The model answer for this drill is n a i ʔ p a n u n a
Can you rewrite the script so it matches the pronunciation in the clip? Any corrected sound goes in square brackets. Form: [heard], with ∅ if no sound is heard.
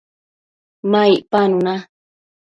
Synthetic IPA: [m] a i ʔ p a n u n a